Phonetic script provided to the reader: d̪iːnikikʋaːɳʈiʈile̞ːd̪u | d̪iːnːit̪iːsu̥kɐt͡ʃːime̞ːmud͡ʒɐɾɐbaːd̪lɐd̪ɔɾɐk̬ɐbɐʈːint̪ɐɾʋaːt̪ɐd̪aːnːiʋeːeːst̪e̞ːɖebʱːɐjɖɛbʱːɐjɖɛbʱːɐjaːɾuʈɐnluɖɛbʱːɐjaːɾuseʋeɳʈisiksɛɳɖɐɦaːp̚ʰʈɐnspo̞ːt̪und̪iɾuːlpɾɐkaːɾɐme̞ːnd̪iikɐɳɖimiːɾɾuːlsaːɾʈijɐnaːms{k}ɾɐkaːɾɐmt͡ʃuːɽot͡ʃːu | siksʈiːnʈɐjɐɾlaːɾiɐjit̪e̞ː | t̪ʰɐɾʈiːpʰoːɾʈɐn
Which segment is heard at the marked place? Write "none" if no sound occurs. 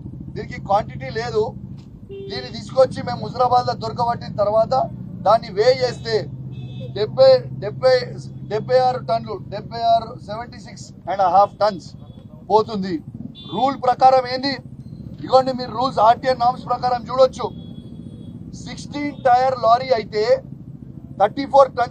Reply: p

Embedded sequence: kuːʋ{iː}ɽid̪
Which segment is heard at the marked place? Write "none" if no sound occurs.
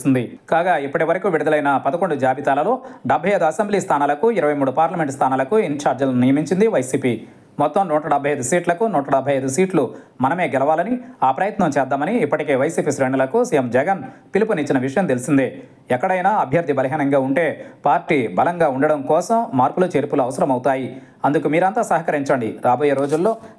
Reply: i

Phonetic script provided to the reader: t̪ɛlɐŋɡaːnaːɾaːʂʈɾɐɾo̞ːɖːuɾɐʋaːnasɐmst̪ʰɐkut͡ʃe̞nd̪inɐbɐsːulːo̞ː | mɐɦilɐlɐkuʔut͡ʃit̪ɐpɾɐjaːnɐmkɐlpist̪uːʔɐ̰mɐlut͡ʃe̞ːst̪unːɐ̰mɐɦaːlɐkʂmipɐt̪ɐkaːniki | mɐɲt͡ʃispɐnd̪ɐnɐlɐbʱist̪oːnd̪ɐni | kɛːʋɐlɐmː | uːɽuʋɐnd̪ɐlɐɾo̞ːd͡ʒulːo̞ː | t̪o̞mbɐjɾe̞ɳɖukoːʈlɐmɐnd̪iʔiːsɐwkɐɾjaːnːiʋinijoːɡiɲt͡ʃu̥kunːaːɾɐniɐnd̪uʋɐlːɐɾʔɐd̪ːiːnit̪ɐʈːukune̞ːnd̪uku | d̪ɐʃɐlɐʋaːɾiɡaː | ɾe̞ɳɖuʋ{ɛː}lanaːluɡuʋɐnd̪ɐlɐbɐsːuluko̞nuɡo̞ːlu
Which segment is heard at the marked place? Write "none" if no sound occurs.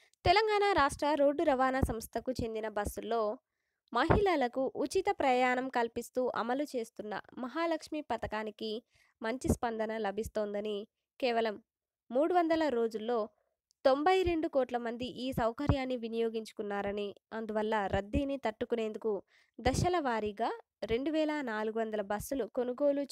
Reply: ɛː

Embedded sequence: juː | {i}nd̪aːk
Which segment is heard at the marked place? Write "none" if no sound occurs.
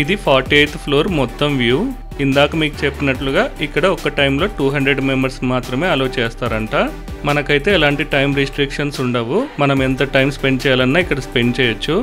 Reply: i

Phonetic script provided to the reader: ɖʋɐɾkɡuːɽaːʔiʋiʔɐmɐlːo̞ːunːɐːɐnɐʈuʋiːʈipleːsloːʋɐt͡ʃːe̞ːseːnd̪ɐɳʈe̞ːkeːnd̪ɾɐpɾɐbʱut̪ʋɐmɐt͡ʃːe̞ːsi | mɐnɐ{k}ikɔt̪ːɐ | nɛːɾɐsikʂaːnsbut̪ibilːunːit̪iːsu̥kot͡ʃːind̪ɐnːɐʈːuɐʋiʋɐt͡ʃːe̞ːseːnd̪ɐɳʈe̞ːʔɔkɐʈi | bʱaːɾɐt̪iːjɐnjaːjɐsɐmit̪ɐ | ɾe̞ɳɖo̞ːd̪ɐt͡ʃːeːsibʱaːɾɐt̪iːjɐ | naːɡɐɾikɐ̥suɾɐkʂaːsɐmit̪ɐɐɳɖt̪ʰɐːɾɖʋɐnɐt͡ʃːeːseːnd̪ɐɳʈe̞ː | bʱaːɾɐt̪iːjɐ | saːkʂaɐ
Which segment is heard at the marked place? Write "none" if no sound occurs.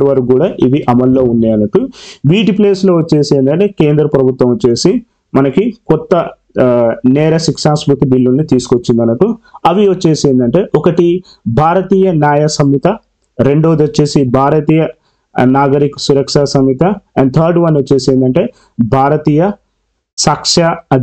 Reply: k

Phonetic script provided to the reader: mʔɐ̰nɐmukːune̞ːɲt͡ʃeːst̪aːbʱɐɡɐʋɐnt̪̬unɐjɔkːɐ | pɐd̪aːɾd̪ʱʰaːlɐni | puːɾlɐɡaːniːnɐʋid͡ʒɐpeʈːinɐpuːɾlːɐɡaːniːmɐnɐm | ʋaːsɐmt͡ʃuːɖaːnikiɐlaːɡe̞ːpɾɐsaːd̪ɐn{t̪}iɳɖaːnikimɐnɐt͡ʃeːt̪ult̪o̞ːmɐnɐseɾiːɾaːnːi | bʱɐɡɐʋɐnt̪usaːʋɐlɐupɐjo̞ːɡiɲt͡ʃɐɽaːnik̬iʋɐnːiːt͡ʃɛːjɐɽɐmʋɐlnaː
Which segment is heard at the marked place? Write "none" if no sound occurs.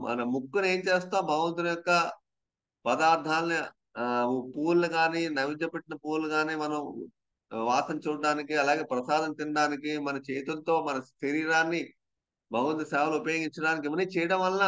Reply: t̪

